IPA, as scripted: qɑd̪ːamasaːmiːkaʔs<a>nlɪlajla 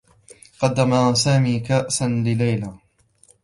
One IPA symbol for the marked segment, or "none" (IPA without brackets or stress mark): a